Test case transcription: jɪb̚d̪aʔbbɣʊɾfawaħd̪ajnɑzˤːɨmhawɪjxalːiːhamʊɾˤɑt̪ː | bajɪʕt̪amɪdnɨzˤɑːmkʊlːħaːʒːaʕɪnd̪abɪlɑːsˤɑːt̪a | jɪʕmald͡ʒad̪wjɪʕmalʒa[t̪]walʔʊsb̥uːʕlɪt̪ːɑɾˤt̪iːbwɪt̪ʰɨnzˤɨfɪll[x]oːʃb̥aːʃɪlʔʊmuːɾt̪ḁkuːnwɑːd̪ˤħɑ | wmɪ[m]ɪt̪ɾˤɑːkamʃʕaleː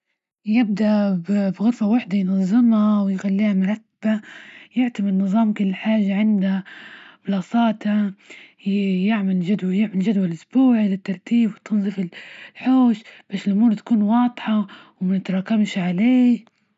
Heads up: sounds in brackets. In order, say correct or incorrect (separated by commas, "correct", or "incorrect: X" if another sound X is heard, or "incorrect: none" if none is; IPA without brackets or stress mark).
incorrect: d̪, incorrect: ħ, incorrect: n